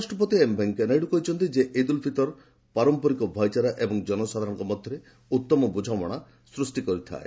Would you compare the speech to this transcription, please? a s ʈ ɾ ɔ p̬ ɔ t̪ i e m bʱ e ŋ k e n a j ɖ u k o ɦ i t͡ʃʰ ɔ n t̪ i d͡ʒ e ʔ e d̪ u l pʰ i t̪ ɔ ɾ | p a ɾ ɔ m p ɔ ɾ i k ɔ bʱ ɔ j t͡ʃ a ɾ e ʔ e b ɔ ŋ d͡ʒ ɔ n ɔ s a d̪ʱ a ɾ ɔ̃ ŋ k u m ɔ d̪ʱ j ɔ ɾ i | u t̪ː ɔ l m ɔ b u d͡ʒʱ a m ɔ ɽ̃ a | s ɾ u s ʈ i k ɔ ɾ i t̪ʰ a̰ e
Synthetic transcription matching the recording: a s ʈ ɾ ɔ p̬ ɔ t̪ i e m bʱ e ŋ k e n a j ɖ u k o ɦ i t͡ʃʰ ɔ n t̪ i d͡ʒ e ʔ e d̪ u l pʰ i t̪ ɔ ɾ | p a ɾ ɔ m p ɔ ɾ i k ɔ bʱ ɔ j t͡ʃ a ɾ a ʔ e b ɔ ŋ d͡ʒ ɔ n ɔ s a d̪ʱ a ɾ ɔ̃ ŋ k ɔ m ɔ d̪ʱ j ɔ ɾ e | u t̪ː ɔ m ɔ b u d͡ʒʱ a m ɔ ɽ̃ a | s ɾ u s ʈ i k ɔ ɾ i t̪ʰ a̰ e